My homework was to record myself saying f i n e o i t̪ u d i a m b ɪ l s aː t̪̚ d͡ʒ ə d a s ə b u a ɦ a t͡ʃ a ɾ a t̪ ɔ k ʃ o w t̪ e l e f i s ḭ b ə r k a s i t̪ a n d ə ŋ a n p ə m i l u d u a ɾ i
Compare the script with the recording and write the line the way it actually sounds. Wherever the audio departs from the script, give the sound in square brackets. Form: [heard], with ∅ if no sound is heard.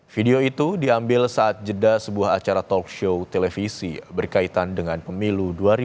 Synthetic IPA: f i [d] e o i t̪ u d i a m b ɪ l s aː t̪̚ d͡ʒ ə d a s ə b u a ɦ a t͡ʃ a ɾ a t̪ ɔ k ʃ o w t̪ e l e f i s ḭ b ə r k a [∅] i t̪ a n d ə ŋ a n p ə m i l u d u a ɾ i